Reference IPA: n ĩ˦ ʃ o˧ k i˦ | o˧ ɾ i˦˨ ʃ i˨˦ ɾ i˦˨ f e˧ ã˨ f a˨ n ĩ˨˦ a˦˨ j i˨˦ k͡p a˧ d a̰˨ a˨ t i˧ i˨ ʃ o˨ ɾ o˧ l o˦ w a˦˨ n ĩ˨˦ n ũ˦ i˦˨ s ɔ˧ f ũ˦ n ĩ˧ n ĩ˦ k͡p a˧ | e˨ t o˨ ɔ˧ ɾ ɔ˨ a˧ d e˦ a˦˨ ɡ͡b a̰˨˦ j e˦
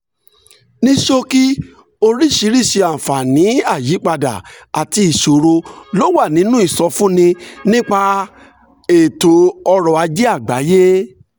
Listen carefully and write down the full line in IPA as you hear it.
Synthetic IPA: n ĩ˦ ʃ o˧ k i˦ | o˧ ɾ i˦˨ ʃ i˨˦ ɾ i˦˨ ʃ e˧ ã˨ f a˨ n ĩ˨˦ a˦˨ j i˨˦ k͡p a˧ d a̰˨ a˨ t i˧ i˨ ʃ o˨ ɾ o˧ l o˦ w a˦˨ n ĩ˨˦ n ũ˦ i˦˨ s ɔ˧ f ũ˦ n ĩ˧ n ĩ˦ k͡p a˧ | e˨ t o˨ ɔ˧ ɾ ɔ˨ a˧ d͡ʒ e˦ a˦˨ ɡ͡b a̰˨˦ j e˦